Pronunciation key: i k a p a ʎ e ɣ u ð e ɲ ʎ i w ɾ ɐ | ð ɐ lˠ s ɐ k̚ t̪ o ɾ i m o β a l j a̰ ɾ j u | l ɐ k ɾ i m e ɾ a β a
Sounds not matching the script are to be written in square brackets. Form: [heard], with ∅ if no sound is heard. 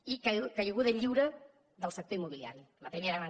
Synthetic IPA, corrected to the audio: i k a [k] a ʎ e ɣ u ð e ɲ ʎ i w ɾ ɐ | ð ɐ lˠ s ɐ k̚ t̪ o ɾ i m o β [i] l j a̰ ɾ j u | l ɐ [p] ɾ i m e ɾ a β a